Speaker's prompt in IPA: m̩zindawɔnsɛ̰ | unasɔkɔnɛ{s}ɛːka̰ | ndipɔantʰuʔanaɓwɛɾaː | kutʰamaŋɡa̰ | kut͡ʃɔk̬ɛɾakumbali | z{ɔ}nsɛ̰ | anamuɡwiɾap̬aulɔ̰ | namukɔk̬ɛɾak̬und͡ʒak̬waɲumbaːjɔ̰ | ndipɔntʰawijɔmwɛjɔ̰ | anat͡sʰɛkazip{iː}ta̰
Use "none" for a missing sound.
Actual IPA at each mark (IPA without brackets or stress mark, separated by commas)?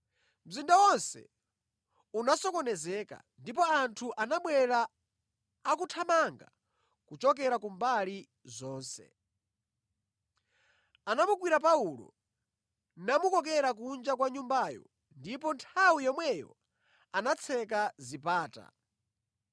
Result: z, ɔː, aː